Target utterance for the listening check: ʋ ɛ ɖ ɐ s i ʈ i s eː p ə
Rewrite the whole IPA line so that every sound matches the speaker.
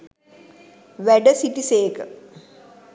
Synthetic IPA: ʋ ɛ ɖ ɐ s i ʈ i s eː k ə